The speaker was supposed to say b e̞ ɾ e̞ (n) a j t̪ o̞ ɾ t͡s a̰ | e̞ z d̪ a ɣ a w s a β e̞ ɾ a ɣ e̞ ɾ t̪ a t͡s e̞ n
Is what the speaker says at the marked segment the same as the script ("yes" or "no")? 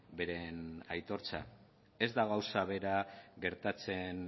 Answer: yes